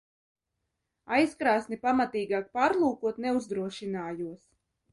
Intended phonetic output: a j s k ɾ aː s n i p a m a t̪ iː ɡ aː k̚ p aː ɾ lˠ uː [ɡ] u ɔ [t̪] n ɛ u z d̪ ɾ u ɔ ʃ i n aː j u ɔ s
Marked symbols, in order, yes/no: no, yes

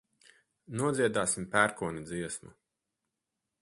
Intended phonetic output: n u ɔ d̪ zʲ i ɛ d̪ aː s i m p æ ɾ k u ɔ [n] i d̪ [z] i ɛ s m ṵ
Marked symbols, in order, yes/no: yes, yes

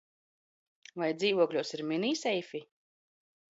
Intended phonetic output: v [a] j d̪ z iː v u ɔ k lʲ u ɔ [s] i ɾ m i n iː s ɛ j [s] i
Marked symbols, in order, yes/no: yes, yes, no

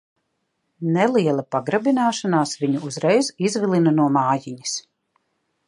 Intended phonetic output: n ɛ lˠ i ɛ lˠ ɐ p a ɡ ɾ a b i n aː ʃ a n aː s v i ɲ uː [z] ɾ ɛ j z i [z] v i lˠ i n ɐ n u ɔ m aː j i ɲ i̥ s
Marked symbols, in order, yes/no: yes, yes

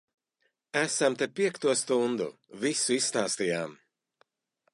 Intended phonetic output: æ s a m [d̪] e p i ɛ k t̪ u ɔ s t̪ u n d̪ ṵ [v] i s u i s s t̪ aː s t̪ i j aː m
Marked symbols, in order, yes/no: no, yes

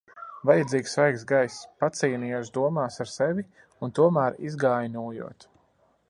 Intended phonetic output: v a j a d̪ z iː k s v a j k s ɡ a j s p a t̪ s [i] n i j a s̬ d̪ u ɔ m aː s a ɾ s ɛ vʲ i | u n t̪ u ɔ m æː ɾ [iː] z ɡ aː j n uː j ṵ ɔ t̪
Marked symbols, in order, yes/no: no, no

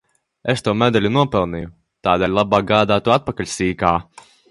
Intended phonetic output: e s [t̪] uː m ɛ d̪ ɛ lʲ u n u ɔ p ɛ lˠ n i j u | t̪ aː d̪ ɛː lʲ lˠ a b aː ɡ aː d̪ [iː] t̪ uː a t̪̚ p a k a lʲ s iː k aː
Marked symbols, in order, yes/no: yes, no

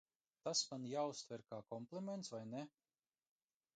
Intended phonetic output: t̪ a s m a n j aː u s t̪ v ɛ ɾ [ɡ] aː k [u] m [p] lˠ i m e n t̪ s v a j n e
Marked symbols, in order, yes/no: no, no, yes

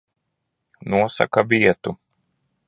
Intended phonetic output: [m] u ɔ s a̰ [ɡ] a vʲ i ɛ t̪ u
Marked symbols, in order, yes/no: no, no

